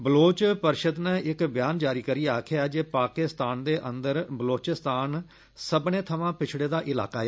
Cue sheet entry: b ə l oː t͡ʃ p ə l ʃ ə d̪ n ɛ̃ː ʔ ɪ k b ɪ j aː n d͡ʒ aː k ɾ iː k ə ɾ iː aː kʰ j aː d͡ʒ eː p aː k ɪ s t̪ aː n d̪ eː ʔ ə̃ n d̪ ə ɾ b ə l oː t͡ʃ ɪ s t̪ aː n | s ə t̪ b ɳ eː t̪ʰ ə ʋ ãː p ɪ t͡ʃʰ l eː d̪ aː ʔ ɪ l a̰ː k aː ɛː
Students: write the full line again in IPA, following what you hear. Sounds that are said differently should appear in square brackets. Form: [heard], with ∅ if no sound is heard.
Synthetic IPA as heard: b ə l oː t͡ʃ p ə [ɾ] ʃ ə d̪ n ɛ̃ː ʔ ɪ k b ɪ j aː n d͡ʒ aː [∅] ɾ iː k ə ɾ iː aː kʰ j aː d͡ʒ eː p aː k ɪ s t̪ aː n d̪ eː ʔ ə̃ n d̪ ə ɾ b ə l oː t͡ʃ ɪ s t̪ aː n | s ə [∅] b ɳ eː t̪ʰ ə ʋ ãː p ɪ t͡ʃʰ [ɽ] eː d̪ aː ʔ ɪ l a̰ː k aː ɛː